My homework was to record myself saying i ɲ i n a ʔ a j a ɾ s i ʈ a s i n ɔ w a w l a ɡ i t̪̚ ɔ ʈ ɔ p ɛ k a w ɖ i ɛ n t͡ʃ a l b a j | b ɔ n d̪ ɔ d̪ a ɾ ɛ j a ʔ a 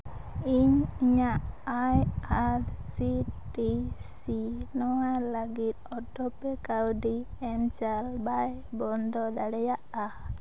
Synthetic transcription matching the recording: i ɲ i ɲ a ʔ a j a ɾ s i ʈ i s i n ɔ w a l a ɡ i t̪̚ ɔ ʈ ɔ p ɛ k a w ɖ i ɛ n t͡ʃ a l b a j | b ɔ n d̪ ɔ d̪ a ɽ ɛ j a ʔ a